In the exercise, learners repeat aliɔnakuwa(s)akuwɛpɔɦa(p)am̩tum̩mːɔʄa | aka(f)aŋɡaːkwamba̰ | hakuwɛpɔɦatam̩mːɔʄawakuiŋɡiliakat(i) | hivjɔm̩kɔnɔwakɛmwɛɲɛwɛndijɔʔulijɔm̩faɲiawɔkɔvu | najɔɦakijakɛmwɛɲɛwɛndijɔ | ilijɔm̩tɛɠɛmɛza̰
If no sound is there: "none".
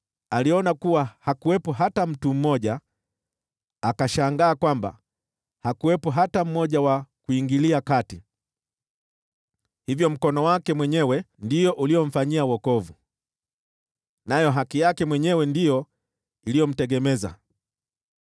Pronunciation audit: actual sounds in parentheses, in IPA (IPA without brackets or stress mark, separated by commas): h, t, ʃ, i